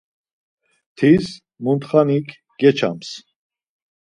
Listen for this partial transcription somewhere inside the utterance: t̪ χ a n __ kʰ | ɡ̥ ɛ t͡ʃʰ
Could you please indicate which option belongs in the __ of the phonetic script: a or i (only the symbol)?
i